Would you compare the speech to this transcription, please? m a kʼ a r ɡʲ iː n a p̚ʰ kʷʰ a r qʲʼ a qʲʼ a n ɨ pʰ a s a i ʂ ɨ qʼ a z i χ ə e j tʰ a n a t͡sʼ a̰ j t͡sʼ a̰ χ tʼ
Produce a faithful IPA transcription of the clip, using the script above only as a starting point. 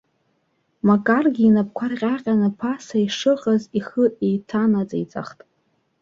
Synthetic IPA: m a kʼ a r ɡʲ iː n a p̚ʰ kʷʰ a r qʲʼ a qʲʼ a n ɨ pʰ a s a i ʂ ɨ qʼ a z i χ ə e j tʰ a n a t͡sʼ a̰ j t͡sʼ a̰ χ tʼ